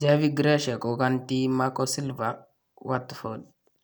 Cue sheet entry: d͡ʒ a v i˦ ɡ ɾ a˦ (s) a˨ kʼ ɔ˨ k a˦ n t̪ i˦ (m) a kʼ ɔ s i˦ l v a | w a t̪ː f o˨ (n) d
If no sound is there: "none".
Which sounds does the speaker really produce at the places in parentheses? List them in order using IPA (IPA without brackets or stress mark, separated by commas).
ʃ, m, none